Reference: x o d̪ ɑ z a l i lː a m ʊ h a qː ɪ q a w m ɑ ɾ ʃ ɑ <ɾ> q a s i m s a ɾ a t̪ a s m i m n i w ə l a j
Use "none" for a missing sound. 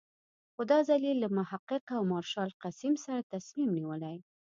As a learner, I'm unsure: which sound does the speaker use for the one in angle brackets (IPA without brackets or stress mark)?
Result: l